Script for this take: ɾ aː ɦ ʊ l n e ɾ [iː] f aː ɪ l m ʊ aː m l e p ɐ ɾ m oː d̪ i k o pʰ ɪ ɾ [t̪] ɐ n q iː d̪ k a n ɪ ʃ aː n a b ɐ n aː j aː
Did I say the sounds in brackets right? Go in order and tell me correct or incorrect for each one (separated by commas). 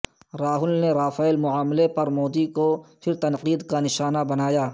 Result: incorrect, correct